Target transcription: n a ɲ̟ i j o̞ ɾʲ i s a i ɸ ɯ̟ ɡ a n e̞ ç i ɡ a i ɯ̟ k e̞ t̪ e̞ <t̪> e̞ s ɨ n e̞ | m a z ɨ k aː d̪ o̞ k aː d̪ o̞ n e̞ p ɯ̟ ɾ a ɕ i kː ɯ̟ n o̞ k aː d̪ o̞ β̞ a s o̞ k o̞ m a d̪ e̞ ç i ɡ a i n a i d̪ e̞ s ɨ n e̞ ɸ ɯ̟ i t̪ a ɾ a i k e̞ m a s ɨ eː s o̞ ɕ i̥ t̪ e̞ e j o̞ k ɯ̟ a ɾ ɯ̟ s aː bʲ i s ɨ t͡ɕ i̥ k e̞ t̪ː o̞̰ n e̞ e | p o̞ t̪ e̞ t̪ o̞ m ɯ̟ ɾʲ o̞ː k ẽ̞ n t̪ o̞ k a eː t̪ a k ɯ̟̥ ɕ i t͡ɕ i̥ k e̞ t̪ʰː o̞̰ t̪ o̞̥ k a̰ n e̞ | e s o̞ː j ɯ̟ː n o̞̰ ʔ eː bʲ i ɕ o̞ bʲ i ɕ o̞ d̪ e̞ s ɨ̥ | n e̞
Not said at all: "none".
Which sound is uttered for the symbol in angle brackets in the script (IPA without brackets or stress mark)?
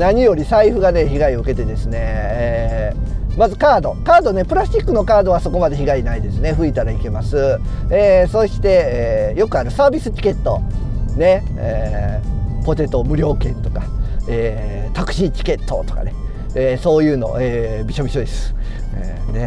d̪